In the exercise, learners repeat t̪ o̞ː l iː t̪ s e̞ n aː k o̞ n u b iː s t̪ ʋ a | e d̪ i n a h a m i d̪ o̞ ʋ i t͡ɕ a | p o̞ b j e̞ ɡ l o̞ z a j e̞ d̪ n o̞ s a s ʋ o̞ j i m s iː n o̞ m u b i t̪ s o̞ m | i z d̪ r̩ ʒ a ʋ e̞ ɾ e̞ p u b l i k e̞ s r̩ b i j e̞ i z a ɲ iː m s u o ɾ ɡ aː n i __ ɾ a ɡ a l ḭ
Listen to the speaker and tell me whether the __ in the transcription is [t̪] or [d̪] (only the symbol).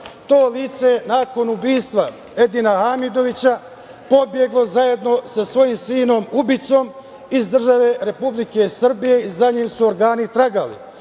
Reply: t̪